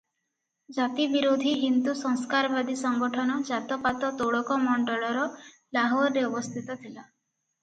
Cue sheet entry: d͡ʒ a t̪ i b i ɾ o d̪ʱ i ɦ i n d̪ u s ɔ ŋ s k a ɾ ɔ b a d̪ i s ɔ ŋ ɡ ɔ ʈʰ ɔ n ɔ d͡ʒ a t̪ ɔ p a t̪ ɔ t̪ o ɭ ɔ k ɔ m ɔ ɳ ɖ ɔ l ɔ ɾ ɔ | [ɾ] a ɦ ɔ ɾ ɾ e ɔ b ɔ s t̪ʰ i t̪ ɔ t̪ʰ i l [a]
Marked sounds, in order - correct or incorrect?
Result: incorrect: l, correct

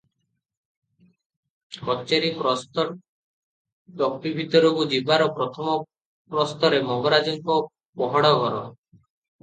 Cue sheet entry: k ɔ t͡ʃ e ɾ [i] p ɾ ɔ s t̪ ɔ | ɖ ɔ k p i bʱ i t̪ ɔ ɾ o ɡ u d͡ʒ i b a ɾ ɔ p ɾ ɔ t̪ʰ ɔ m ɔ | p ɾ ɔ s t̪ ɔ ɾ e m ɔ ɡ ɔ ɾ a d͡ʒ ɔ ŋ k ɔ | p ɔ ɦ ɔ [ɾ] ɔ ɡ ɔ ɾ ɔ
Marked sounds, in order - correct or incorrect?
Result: correct, incorrect: ɽ

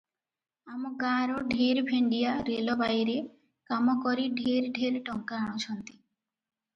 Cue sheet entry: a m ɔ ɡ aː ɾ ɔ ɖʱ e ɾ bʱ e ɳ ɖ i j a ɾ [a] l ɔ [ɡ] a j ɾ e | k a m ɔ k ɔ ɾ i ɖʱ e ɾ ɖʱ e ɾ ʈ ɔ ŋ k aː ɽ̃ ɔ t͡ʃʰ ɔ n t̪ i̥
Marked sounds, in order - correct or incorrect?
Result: incorrect: e, incorrect: b

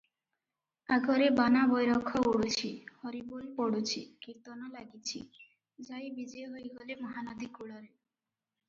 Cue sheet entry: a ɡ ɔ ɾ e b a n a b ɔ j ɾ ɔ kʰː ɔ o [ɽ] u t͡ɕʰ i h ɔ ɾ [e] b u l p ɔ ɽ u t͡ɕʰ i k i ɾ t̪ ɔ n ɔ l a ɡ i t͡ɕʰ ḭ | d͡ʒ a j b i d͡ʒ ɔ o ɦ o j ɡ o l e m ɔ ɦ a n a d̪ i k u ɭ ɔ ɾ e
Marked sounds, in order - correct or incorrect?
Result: correct, incorrect: i

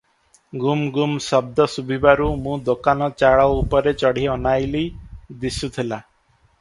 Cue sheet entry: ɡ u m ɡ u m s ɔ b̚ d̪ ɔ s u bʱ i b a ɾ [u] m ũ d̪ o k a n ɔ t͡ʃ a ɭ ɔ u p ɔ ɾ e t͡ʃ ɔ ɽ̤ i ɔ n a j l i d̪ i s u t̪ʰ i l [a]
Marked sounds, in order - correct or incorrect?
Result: correct, correct

